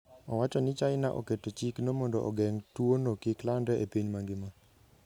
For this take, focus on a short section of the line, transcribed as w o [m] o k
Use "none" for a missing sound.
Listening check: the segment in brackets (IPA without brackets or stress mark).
n